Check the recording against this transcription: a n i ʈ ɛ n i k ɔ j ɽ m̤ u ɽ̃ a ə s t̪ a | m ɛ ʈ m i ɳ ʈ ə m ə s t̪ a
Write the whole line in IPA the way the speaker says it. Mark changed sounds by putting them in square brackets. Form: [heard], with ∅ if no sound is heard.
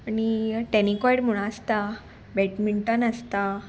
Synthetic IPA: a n i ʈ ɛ n i k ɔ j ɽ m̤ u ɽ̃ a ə s t̪ a | [b] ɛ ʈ m i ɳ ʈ ə [n] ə s t̪ a